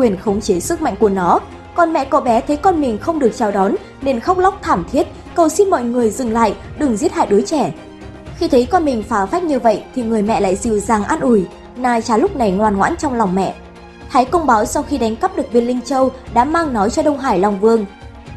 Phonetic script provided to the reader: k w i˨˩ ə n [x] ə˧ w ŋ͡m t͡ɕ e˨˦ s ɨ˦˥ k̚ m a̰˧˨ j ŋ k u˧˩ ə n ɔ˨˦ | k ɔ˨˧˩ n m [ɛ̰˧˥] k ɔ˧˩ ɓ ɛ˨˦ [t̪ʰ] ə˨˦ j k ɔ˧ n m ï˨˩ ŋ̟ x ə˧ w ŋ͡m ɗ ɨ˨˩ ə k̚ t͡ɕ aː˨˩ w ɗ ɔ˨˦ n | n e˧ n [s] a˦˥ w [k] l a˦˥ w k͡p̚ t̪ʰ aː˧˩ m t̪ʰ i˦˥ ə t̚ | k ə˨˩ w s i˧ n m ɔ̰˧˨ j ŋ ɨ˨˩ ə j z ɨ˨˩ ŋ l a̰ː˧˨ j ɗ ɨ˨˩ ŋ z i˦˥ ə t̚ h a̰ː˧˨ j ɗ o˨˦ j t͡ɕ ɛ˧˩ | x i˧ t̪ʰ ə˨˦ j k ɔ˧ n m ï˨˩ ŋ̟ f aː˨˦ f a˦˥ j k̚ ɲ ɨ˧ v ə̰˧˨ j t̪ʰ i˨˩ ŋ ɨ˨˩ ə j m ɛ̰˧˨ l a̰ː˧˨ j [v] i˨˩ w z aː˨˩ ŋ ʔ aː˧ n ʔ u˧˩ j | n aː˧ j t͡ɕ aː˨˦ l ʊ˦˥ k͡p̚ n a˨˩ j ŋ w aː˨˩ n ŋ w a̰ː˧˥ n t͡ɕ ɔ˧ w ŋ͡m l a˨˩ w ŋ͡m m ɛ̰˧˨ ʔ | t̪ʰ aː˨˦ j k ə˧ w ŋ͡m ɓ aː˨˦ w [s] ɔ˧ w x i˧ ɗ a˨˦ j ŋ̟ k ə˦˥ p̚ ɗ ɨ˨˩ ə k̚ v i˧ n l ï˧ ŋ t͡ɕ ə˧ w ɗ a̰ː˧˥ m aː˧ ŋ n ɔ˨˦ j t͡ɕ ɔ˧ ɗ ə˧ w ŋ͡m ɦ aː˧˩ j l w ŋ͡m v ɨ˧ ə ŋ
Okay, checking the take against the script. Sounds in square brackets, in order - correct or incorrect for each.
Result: correct, incorrect, correct, incorrect, incorrect, incorrect, correct

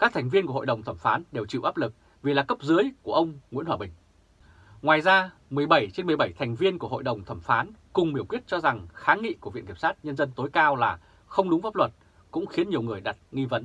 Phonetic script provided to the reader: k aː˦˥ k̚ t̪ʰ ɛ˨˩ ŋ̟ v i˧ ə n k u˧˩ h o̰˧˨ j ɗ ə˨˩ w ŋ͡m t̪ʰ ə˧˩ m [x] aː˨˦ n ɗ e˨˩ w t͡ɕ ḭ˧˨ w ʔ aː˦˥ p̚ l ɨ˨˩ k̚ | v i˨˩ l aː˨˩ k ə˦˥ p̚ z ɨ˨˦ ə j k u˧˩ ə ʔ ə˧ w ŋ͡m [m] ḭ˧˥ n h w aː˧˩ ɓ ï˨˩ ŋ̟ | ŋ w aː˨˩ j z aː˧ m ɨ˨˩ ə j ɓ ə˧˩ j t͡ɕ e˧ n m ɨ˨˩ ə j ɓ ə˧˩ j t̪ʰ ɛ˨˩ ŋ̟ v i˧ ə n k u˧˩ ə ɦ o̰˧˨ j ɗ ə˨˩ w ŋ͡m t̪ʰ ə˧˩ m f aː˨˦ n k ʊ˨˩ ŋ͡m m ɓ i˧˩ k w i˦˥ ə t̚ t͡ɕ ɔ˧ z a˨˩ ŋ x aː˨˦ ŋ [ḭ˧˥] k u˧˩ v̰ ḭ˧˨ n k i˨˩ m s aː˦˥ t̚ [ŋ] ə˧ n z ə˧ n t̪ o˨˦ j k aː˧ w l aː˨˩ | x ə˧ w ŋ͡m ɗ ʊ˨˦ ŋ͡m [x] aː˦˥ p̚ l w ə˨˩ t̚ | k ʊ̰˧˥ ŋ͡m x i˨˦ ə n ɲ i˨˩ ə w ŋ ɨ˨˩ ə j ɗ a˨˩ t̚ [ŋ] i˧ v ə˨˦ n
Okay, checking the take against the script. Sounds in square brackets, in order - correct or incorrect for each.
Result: incorrect, incorrect, incorrect, incorrect, incorrect, correct

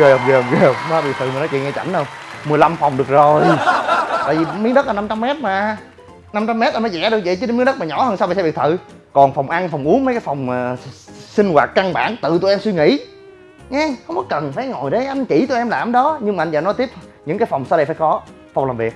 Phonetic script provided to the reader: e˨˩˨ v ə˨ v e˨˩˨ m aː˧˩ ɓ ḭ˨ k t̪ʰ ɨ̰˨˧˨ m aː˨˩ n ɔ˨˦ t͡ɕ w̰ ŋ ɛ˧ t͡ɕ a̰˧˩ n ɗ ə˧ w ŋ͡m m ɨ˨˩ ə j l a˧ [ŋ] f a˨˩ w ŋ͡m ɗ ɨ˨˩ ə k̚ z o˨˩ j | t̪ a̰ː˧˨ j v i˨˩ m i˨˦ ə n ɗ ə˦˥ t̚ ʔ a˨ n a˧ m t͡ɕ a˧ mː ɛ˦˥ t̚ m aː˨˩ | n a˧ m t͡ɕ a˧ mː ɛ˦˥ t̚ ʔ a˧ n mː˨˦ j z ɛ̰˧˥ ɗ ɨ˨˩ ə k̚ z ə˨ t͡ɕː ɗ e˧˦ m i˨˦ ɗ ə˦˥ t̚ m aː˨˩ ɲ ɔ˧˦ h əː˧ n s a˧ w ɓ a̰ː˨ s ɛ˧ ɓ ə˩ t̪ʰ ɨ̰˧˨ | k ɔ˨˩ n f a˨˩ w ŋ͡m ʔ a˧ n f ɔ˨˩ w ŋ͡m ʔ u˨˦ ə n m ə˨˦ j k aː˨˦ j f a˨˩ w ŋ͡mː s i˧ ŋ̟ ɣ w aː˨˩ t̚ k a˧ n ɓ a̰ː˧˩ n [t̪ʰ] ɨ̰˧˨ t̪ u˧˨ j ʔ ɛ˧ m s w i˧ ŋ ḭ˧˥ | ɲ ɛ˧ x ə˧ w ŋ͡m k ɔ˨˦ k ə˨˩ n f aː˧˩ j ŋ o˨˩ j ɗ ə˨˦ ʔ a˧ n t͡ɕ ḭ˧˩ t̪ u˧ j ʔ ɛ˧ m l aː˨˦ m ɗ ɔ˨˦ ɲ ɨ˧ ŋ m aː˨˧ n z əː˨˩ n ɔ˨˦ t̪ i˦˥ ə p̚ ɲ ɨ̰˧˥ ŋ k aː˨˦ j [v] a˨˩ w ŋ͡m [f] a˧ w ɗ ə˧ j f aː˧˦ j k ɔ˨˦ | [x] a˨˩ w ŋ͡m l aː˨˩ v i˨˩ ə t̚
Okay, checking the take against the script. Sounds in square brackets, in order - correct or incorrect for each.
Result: incorrect, incorrect, incorrect, incorrect, incorrect

